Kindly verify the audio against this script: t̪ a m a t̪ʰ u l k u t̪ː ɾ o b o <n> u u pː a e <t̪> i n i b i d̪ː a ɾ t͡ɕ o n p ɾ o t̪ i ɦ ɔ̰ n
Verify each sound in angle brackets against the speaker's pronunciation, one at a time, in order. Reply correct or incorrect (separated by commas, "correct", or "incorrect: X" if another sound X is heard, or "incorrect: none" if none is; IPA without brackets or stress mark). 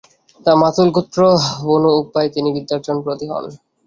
correct, correct